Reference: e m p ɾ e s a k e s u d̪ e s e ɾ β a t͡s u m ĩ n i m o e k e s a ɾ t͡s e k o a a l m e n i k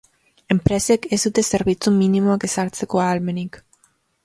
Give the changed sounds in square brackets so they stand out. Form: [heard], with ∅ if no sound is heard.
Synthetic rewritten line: e m p ɾ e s [e] k e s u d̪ e s e ɾ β [i] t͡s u m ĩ n i m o [a] k e s a ɾ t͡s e k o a a l m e n i k